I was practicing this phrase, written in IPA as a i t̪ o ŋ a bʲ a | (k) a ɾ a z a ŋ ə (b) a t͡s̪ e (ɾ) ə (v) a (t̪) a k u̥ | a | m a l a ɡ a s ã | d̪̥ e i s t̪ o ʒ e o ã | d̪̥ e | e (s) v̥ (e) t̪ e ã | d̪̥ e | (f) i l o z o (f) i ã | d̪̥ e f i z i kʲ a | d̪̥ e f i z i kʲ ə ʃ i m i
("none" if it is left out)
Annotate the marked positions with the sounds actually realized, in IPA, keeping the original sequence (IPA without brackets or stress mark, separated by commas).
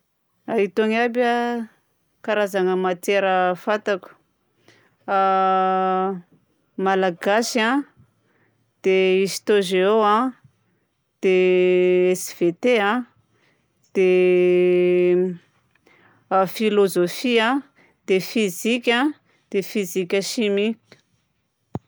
k, m, ɾ, f, t̪, s, e, f, f